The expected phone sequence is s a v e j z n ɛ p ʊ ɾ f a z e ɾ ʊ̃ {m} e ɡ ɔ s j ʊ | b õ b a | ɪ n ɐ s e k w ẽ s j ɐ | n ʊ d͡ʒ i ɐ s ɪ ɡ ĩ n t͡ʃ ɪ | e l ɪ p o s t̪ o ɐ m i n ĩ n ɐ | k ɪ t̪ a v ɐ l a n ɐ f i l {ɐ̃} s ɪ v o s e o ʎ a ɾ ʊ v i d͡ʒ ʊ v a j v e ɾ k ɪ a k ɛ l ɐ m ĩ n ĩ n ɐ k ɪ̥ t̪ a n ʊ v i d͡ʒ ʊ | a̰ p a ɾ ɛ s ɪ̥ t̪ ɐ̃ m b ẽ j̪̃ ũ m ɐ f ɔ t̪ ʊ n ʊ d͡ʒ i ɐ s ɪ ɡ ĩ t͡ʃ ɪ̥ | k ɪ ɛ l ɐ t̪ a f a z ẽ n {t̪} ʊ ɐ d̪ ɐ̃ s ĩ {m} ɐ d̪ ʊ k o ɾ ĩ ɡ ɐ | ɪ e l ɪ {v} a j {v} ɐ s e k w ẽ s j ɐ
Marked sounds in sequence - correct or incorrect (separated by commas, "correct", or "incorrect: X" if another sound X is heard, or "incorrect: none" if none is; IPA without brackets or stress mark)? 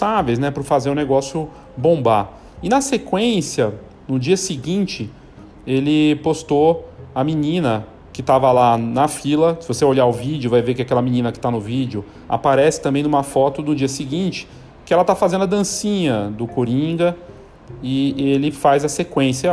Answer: incorrect: n, incorrect: ɐ, incorrect: d̪, incorrect: ɲ, incorrect: f, incorrect: z